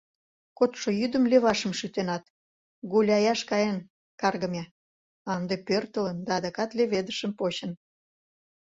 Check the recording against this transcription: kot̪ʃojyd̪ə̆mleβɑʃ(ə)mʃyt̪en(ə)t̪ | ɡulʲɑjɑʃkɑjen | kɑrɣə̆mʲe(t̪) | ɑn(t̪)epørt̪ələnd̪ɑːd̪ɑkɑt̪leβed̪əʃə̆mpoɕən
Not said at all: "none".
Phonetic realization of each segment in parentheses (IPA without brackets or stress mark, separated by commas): ə, ɑ, none, d̪